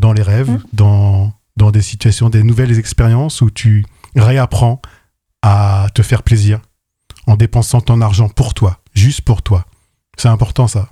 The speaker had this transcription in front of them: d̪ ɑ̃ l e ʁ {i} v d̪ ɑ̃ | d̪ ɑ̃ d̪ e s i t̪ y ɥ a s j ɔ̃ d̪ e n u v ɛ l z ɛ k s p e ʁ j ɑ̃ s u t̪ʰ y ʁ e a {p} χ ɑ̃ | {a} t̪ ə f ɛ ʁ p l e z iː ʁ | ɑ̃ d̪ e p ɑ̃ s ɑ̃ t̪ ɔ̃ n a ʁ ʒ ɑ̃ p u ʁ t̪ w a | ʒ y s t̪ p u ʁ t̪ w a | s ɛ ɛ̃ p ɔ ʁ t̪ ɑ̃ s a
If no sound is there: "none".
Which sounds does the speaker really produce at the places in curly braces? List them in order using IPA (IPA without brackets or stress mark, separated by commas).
ɛ, p, a